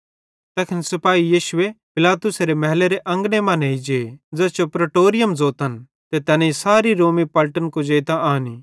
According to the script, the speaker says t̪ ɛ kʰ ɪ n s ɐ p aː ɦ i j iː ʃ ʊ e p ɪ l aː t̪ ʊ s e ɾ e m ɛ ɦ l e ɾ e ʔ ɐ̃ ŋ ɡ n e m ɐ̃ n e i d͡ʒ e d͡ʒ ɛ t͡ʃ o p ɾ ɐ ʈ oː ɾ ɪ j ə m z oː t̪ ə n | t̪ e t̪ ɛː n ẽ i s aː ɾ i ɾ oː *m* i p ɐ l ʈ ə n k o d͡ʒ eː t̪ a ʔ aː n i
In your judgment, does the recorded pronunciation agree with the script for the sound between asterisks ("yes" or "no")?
yes